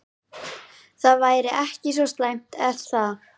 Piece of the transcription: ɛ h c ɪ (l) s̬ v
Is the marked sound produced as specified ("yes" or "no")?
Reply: no